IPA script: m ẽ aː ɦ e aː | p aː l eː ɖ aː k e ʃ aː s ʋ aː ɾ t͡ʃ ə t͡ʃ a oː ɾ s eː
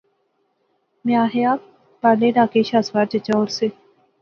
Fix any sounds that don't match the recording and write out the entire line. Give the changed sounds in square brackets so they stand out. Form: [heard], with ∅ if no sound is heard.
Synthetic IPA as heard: m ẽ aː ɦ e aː | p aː l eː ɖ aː k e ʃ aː s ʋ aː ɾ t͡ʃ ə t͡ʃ a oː ɾ s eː